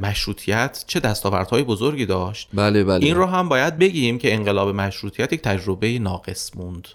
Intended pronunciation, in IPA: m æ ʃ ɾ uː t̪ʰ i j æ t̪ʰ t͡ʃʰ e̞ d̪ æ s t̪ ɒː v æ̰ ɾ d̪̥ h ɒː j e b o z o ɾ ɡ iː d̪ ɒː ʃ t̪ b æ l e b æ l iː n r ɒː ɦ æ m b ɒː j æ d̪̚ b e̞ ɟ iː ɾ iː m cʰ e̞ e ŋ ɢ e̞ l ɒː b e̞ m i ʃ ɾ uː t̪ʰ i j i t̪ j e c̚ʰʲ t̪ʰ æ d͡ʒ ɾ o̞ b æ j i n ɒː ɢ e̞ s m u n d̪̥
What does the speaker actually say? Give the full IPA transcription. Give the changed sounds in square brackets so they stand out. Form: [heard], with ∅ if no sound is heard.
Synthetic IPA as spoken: m æ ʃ ɾ uː t̪ʰ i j æ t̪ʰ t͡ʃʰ e̞ d̪ æ s t̪ ɒː v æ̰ ɾ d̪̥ h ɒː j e b o z o ɾ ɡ iː d̪ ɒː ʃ t̪ b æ l e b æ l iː n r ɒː ɦ æ m b ɒː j æ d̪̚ b e̞ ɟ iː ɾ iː m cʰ e̞ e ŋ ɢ e̞ l ɒː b e̞ m [æ] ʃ ɾ uː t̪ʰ i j [æ] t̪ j e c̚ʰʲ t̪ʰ æ d͡ʒ ɾ o̞ b [e] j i n ɒː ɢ e̞ s m u n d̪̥